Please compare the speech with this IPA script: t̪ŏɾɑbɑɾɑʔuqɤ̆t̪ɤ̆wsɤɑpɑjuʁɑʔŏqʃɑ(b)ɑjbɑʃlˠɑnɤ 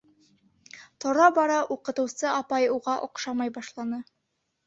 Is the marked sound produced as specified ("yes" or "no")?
no